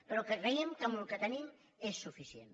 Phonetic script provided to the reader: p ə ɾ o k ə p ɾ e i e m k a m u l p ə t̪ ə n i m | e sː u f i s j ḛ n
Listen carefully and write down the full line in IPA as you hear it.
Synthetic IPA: p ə ɾ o k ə k ɾ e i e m k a m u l k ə t̪ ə n i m | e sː u f i s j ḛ n